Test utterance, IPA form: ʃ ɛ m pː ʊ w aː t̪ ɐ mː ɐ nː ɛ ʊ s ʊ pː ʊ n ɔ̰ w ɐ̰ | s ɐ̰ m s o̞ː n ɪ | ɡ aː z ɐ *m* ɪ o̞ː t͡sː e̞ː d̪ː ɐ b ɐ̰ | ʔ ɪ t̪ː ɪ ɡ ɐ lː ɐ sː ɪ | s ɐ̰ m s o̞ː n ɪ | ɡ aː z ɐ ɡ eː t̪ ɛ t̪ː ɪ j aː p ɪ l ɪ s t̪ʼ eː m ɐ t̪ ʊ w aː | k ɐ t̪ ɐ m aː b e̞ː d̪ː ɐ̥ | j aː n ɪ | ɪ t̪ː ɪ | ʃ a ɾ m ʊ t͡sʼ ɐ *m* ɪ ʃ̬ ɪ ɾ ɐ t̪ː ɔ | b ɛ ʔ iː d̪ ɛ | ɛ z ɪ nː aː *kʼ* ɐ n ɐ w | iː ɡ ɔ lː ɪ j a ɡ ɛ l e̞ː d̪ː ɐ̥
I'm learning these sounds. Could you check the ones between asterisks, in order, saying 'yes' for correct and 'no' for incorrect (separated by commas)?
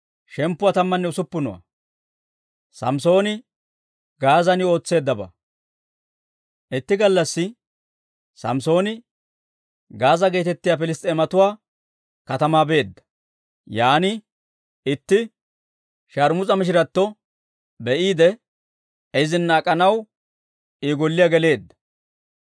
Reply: no, yes, yes